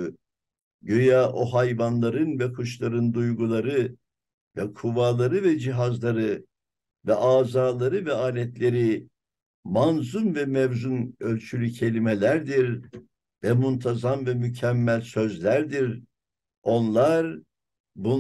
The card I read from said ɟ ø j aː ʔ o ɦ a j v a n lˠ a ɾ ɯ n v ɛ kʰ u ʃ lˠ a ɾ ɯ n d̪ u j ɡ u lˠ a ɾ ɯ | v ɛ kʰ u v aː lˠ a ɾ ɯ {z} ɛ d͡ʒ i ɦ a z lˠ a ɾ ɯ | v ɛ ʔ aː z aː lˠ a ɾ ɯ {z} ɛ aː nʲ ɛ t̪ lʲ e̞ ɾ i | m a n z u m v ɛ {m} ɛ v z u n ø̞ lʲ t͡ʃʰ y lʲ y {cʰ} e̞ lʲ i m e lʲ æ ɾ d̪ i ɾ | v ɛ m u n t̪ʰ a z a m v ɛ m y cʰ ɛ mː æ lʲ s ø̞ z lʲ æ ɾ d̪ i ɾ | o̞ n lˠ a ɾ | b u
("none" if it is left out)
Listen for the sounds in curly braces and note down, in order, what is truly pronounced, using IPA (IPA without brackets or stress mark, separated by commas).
v, v, m, cʰ